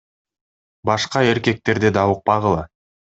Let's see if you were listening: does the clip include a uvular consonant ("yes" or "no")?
yes